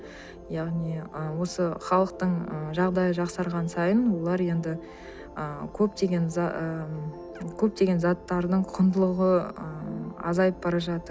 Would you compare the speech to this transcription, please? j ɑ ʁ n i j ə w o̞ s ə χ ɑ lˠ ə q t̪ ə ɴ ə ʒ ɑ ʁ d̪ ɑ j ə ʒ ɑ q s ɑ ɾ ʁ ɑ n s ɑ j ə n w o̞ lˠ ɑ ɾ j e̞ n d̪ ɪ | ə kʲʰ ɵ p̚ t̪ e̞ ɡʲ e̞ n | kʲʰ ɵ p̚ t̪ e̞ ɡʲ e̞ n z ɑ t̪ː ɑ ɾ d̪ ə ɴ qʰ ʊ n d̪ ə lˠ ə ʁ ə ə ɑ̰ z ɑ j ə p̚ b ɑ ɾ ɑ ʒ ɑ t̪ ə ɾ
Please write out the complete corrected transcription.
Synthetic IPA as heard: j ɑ ʁ n i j ə w o̞ s ə χ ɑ lˠ ə q t̪ ə ɴ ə ʒ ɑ ʁ d̪ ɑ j ə ʒ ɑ q s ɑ ɾ ʁ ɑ n s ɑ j ə n w o̞ lˠ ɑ ɾ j e̞ n d̪ ɪ | ə kʲʰ ɵ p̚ t̪ e̞ ɡʲ e̞ n | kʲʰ ɵ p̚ t̪ e̞ ɡʲ e̞ n z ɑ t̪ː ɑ ɾ d̪ ə ɴ qʰ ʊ n d̪ ə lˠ ə ʁ ə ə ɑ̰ z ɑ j ə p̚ b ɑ ɾ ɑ ʒ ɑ t̪ ə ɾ

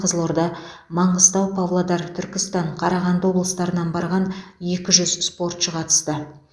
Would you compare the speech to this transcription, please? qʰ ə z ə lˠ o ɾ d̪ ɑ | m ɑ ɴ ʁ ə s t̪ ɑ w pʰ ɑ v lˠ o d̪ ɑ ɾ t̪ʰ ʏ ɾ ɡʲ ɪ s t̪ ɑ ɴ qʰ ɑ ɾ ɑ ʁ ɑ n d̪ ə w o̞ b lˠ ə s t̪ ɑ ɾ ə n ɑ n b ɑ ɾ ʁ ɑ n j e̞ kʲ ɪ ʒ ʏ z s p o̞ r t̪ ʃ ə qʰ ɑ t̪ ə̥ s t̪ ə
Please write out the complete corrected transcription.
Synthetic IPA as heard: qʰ ə z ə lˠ o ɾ d̪ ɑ | m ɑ ɴ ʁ ə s t̪ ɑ w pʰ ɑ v lˠ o d̪ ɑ ɾ t̪ʰ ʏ ɾ kʲ ɪ s t̪ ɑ ɴ qʰ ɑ ɾ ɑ ʁ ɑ n d̪ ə w o̞ b lˠ ə s t̪ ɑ ɾ ə n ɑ n b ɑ ɾ ʁ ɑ n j e̞ kʲ ɪ ʒ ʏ z s p o̞ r t̪ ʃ ə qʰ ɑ t̪ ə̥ s t̪ ə

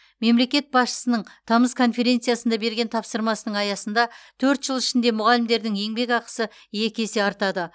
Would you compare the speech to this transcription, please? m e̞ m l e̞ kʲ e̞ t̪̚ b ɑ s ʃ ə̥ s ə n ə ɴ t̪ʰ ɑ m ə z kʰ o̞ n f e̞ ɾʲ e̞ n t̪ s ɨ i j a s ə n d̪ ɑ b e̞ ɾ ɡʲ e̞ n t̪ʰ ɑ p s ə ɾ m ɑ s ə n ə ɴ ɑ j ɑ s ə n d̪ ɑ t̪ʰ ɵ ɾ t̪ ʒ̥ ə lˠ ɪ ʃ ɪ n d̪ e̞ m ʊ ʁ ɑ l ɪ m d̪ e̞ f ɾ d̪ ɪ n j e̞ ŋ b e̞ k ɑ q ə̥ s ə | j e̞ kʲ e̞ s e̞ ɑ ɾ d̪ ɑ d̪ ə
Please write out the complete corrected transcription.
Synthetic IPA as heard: m e̞ m l e̞ kʲ e̞ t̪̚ b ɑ s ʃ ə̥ s ə n ə ɴ t̪ʰ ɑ m ə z kʰ o̞ n f e̞ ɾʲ e̞ n t̪ s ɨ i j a s ə n d̪ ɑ b e̞ ɾ ɡʲ e̞ n t̪ʰ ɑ p s ə ɾ m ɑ s ə n ə ɴ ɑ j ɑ s ə n d̪ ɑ t̪ʰ ɵ ɾ t̪ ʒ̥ ə lˠ ɪ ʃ ɪ n d̪ e̞ m ʊ ʁ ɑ l ɪ m d̪ e̞ ɾ d̪ ɪ ŋ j e̞ ŋ b e̞ k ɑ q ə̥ s ə | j e̞ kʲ e̞ s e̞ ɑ ɾ t̪ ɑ d̪ ə

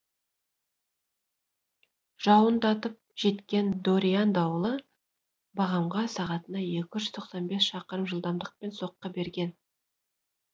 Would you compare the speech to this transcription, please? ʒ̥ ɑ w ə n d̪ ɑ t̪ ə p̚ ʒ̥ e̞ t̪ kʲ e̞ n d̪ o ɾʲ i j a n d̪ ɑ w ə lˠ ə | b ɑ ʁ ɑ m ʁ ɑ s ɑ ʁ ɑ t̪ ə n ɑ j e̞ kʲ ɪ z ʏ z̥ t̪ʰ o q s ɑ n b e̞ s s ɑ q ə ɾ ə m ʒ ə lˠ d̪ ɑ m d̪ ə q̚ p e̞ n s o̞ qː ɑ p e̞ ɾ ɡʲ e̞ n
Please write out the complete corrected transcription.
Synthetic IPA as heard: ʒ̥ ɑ w ə n d̪ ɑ t̪ ə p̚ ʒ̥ e̞ t̪ kʲ e̞ n d̪ o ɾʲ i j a n d̪ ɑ w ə lˠ ə | b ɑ ʁ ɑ m ʁ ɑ s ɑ ʁ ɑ t̪ ə n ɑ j e̞ kʲ ɪ ʒ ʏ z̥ t̪ʰ o q s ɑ n b e̞ s ʃ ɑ q ə ɾ ə m ʒ ə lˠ d̪ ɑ m d̪ ə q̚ p e̞ n s o̞ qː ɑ b e̞ ɾ ɡʲ e̞ n

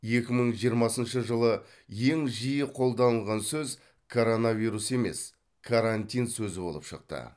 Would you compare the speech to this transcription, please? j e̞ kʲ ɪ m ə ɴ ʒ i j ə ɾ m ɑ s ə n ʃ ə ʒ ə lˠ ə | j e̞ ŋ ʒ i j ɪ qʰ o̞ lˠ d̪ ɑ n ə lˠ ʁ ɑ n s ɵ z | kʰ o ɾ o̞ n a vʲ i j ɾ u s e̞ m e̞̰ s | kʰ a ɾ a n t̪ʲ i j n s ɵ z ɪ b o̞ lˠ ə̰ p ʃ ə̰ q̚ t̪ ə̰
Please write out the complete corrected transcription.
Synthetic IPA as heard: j e̞ kʲ ɪ m ə ɴ ʒ i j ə ɾ m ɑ s ə n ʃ ə ʒ ə lˠ ə | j e̞ ŋ ʒ i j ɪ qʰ o̞ lˠ d̪ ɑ n ə lˠ ʁ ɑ n s ɵ z | kʰ o ɾ o̞ n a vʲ i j ɾ u s e̞ m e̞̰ s | kʰ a ɾ a n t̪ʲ i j n s ɵ z ɪ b o̞ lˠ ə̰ p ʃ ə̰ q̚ t̪ ə̰

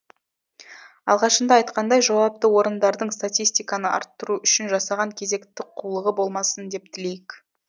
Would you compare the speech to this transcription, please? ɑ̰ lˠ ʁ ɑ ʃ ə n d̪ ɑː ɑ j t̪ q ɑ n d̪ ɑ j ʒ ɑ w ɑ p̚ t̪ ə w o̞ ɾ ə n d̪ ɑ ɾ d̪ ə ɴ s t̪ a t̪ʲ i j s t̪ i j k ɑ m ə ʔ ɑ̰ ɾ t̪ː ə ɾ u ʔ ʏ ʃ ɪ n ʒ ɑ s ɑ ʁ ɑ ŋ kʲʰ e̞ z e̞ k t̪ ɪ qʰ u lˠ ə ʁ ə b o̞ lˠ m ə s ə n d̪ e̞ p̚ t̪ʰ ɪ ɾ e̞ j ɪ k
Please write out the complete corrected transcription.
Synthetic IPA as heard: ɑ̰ lˠ ʁ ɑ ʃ ə n d̪ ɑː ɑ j t̪ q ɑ n d̪ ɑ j ʒ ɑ w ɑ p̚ t̪ ə w o̞ ɾ ə n d̪ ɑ ɾ d̪ ə ɴ s t̪ a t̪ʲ i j s t̪ i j k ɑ n ə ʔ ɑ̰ ɾ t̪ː ə ɾ u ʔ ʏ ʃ ɪ n ʒ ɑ s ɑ ʁ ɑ ŋ kʲʰ e̞ z e̞ k t̪ ɪ qʰ u lˠ ə ʁ ə b o̞ lˠ m ɑ s ə n d̪ e̞ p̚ t̪ʰ ɪ l e̞ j ɪ k

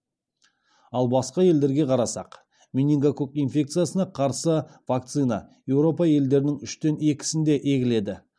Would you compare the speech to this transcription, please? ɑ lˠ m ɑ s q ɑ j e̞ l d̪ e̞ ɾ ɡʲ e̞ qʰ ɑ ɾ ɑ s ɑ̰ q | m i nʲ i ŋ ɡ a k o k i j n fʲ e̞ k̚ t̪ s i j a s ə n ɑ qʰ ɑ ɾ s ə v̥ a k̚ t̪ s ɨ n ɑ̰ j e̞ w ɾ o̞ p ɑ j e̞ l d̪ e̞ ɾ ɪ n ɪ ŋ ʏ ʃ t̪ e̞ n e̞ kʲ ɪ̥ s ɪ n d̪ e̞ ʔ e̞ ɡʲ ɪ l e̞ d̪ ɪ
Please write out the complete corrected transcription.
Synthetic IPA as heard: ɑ lˠ b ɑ s q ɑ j e̞ l d̪ e̞ ɾ ɡʲ e̞ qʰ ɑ ɾ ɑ s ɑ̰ q | m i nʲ i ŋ ɡ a k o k i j n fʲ e̞ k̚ t̪ s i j a s ə n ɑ qʰ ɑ ɾ s ə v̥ a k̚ t̪ s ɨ n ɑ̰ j e̞ w ɾ o̞ p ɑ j e̞ l d̪ e̞ ɾ ɪ n ɪ ŋ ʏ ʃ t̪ e̞ n e̞ kʲ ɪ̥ s ɪ n d̪ e̞ ʔ e̞ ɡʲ ɪ l e̞ d̪ ɪ

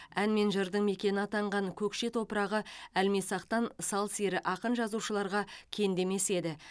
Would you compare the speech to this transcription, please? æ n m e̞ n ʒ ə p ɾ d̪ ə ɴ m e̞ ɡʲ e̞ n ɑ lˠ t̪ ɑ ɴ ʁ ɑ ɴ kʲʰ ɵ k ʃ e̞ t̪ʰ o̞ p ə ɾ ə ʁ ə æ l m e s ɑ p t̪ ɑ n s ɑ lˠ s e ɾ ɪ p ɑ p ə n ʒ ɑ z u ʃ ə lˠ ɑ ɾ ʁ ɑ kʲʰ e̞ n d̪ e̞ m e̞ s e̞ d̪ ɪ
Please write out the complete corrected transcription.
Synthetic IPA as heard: æ n m e̞ n ʒ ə ɾ d̪ ə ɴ m e̞ kʲ e̞ n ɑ t̪ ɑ ɴ ʁ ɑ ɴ kʲʰ ɵ k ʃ e̞ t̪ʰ o̞ p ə ɾ ɑ ʁ ə æ l m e s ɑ q t̪ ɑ n s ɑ lˠ s e ɾ ɪ ʔ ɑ q ə n ʒ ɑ z u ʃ ə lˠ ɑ ɾ ʁ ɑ kʲʰ e̞ n d̪ e̞ m e̞ s e̞ d̪ ɪ

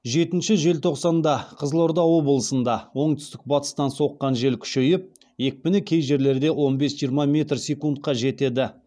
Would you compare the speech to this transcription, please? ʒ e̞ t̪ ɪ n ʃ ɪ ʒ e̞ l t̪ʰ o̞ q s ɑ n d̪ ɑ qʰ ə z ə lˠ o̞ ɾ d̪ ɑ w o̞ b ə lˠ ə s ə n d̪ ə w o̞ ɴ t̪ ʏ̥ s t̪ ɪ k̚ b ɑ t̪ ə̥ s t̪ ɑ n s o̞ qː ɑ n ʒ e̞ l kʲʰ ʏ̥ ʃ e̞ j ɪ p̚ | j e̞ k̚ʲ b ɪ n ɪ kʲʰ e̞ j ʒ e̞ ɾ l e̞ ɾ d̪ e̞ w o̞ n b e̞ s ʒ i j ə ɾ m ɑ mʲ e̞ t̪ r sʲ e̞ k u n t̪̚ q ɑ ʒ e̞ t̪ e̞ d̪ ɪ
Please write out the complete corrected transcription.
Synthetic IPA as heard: ʒ e̞ t̪ ɪ n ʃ ɪ ʒ e̞ l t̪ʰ o̞ q s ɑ n d̪ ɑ qʰ ə z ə lˠ o̞ ɾ d̪ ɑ w o̞ b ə lˠ ə s ə n d̪ ɑ w o̞ ɴ t̪ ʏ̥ s t̪ ɪ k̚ b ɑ t̪ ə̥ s t̪ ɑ n s o̞ qː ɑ n ʒ e̞ l kʲʰ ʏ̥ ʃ e̞ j ɪ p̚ | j e̞ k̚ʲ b ɪ n ɪ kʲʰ e̞ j ʒ e̞ ɾ l e̞ ɾ d̪ e̞ w o̞ n b e̞ s ʒ i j ə ɾ m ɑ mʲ e̞ t̪ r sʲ e̞ k u n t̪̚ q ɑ ʒ e̞ t̪ e̞ d̪ ɪ

